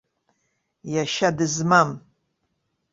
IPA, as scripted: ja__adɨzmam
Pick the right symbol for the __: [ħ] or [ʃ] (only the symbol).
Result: ʃ